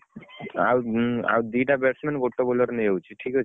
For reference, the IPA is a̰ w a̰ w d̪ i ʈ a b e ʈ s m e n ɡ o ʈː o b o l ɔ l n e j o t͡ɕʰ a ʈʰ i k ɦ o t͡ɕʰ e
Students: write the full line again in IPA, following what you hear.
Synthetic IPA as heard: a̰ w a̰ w d̪ i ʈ a b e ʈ s m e n ɡ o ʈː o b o l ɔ ɾ n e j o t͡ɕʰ i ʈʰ i k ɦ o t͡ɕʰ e